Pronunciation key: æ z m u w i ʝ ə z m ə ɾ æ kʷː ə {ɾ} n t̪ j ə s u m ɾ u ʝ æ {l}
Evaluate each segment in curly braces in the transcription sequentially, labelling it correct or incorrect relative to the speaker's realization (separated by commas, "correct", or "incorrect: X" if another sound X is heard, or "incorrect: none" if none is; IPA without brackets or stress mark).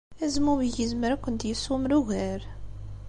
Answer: incorrect: none, incorrect: ɾ